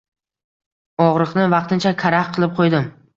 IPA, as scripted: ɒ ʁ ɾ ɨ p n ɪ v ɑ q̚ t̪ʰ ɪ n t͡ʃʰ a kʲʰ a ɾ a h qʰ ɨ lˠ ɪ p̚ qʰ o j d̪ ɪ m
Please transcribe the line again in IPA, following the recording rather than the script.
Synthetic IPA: ɒ ʁ ɾ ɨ q n ɪ v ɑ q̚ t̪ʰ ɪ n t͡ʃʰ a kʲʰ a ɾ a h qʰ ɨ lˠ ɪ p̚ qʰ o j d̪ ɪ m

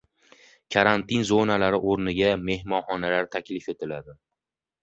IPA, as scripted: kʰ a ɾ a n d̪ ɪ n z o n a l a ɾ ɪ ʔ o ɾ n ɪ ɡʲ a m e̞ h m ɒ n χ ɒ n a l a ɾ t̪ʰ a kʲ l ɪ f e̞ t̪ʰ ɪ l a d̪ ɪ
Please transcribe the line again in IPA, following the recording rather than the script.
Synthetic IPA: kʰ a ɾ a n t̪ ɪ n z o n a l a ɾ ɪ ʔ o ɾ n ɪ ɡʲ a m e̞ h m ɒ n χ ɒ n a l a ɾ t̪ʰ a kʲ l ɪ f e̞ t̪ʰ ɪ l a d̪ ɪ

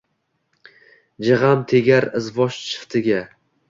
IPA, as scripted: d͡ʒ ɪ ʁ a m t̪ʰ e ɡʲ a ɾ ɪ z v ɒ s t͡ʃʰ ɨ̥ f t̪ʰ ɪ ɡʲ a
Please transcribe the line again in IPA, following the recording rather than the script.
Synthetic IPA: d͡ʒ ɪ ʁ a m t̪ʰ e ɡʲ a ɾ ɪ z v ɒ ʃ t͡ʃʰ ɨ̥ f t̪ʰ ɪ ɡʲ a

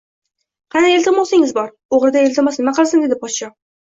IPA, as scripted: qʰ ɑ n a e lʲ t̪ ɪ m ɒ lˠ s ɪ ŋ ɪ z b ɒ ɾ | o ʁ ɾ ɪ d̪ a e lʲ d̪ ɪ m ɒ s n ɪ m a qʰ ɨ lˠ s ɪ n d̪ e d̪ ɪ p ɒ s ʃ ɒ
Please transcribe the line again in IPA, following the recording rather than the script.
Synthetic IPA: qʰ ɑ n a e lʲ t̪ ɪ m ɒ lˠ s ɪ ŋ ɪ z b ɒ ɾ | o ʁ ɾ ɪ d̪ a e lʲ t̪ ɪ m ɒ s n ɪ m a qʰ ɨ lˠ s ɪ n d̪ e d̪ ɪ p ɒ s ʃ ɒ

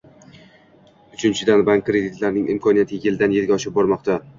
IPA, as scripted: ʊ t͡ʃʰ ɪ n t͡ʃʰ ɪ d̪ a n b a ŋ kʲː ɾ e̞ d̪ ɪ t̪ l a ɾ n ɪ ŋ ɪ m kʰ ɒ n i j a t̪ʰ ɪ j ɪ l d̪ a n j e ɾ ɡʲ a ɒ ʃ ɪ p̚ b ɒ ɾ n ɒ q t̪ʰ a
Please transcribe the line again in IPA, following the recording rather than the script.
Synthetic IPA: ʊ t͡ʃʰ ɪ n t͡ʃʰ ɪ d̪ a n b a ŋ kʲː ɾ e̞ d̪ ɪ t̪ l a ɾ n ɪ ŋ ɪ m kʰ ɒ n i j a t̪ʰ ɪ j ɪ l d̪ a n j e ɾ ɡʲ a ɒ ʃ ɪ p̚ b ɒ ɾ m ɒ q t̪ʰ a

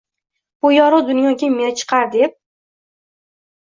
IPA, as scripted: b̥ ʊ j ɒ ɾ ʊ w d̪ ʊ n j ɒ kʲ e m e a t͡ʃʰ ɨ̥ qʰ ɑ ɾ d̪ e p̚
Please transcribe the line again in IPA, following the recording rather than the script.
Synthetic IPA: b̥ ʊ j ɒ ɾ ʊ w d̪ ʊ n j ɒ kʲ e m e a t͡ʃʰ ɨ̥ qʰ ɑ ɾ d̪ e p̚

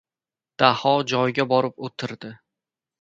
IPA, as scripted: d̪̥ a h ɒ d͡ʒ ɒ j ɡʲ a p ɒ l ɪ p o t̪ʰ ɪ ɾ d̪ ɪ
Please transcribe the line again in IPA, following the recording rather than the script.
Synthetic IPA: d̪̥ a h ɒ d͡ʒ ɒ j ɡʲ a b ɒ ɾ ɪ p o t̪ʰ ɪ ɾ d̪ ɪ

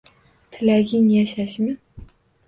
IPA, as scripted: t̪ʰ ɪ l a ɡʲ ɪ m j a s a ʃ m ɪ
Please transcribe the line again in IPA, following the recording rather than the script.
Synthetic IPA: t̪ʰ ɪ l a ɡʲ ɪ ŋ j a ʃ a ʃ m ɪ

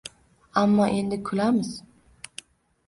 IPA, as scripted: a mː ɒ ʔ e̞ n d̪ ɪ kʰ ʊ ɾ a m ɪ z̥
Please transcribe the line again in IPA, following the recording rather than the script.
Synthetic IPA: a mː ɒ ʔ e̞ n d̪ ɪ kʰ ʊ l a m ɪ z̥

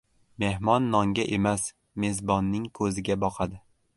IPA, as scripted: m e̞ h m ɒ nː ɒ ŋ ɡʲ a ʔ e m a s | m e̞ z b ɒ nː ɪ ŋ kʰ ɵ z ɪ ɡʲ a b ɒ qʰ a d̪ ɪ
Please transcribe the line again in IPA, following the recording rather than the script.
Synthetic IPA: m e̞ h m ɒ nː ɒ ŋ ɡʲ a ʔ e m a s | m e̞ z b ɒ nː ɪ ŋ kʰ ɵ z ɪ ɡʲ a b ɒ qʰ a d̪ ɪ

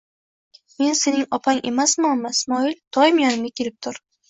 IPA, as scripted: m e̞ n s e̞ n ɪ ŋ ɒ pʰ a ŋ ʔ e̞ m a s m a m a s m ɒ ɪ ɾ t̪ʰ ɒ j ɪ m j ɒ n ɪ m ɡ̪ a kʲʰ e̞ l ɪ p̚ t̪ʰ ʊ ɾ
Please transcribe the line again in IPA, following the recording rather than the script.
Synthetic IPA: m e̞ n s e̞ n ɪ ŋ ɒ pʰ a ŋ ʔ e̞ m a s m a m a s m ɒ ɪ l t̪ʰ ɒ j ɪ m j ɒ n ɪ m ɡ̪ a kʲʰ e̞ l ɪ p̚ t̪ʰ ʊ ɾ

